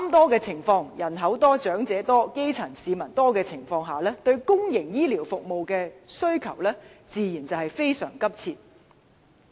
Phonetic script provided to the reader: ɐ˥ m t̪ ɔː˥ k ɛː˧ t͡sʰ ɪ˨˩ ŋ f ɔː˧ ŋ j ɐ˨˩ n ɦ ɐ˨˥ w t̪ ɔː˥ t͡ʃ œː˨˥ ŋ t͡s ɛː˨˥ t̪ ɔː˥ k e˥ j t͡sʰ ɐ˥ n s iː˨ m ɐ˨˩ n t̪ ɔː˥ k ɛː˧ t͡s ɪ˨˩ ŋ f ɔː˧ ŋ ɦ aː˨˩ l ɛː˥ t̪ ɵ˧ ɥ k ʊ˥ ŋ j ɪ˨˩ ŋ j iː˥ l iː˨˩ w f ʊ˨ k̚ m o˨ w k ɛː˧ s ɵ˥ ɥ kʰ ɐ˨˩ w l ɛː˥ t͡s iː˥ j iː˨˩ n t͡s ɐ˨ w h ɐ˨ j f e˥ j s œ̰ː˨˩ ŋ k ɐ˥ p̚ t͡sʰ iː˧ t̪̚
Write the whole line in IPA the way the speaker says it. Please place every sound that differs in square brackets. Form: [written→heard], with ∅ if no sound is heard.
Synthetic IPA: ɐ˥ m t̪ ɔː˥ k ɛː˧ t͡sʰ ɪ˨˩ ŋ f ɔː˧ ŋ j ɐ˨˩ n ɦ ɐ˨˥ w t̪ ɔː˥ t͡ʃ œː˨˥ ŋ t͡s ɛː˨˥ t̪ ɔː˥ k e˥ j t͡sʰ [ɐ˥→ɐ˨˩] n s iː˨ m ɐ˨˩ n t̪ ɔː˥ k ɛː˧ [t͡s→t͡sʰ] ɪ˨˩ ŋ f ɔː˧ ŋ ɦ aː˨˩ l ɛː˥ t̪ ɵ˧ ɥ k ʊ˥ ŋ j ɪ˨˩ ŋ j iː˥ l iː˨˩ w f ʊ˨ k̚ m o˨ w k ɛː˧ s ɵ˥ ɥ kʰ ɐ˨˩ w l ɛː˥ t͡s [iː˥→iː˨˧] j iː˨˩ n t͡s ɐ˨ w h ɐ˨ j f e˥ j s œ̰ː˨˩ ŋ k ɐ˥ p̚ t͡sʰ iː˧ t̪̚

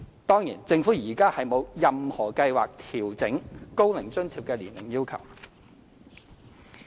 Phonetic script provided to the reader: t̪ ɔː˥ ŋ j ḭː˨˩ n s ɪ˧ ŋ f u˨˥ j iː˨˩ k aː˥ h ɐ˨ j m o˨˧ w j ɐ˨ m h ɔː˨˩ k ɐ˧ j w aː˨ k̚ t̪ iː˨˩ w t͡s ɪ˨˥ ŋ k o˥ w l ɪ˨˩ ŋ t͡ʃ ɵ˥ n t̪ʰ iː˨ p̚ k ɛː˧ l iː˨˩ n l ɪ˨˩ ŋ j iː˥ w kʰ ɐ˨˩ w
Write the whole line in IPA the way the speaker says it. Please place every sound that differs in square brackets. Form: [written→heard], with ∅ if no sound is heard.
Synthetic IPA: t̪ ɔː˥ ŋ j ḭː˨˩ n [s→t͡s] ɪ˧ ŋ f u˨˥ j iː˨˩ k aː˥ h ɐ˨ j m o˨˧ w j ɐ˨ m h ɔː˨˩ k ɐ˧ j w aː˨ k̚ [t̪→t̪ʰ] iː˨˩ w t͡s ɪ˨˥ ŋ k o˥ w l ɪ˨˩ ŋ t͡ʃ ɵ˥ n t̪ʰ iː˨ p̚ k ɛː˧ l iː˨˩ n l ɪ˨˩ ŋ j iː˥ w kʰ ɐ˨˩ w

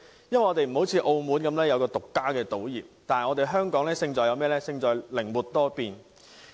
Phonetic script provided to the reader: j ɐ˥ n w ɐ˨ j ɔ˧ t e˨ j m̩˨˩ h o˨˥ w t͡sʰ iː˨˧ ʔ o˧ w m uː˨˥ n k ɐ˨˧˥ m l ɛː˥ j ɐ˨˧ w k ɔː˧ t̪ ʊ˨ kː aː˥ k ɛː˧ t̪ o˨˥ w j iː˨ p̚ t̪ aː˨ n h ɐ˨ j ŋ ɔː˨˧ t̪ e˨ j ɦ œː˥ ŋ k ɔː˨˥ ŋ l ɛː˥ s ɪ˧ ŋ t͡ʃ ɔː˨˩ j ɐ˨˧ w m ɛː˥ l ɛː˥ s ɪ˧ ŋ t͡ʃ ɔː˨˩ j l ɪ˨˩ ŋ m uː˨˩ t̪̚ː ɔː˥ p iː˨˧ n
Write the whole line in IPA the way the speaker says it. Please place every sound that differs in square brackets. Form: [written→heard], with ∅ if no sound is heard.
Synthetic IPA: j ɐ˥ n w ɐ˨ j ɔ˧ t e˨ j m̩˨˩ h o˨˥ w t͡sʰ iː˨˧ ʔ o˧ w m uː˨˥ n k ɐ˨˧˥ m l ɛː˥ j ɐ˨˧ w k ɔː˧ t̪ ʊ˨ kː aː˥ k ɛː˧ t̪ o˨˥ w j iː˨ p̚ t̪ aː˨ n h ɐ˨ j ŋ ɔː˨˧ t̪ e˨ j ɦ œː˥ ŋ k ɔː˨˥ ŋ l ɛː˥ s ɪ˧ ŋ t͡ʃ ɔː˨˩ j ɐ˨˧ w m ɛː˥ l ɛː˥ s ɪ˧ ŋ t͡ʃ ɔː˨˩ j l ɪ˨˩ ŋ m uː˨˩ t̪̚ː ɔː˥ p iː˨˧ n

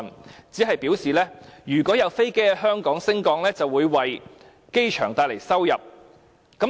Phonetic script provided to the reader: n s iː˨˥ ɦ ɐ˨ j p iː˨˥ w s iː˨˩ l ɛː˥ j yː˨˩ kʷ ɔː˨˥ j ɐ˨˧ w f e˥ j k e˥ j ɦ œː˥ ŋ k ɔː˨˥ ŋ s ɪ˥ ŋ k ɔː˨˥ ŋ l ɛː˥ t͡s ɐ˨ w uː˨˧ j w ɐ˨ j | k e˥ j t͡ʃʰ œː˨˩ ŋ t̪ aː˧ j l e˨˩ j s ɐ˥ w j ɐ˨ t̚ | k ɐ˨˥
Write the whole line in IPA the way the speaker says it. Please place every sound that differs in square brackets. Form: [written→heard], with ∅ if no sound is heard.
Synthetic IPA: n [s→t͡s] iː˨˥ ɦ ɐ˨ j p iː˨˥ w s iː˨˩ l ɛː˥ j yː˨˩ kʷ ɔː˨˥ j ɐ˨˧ w f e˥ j k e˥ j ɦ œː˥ ŋ k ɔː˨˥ ŋ s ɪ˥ ŋ k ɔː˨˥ ŋ l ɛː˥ t͡s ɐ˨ w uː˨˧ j w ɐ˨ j | k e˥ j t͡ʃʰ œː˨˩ ŋ t̪ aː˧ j l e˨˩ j s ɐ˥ w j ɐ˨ [t̚→p̚] | k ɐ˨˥

